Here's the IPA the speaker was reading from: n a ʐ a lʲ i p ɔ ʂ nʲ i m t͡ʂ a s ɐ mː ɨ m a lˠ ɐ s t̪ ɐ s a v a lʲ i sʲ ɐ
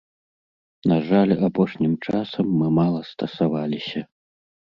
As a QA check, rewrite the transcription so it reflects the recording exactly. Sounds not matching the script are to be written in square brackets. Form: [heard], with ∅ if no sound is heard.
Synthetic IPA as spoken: n a ʐ a lʲ [a] p ɔ ʂ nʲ i m t͡ʂ a s ɐ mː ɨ m a lˠ ɐ s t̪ ɐ s a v a lʲ i sʲ ɐ